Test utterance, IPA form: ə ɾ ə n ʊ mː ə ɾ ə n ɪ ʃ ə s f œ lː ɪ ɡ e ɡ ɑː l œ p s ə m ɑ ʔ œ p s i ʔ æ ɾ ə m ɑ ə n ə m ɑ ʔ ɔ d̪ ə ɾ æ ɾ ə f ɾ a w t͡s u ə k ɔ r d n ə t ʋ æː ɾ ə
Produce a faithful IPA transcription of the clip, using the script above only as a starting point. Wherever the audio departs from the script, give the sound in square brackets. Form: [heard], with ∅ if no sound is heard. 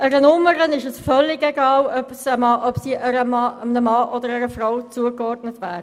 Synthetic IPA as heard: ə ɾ ə n ʊ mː ə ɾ ə n ɪ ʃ ə s f œ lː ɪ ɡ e ɡ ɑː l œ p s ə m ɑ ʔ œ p s i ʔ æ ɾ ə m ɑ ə n ə m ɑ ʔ ɔ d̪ ə ɾ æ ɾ ə f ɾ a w t͡s u ə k ɔ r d n ə t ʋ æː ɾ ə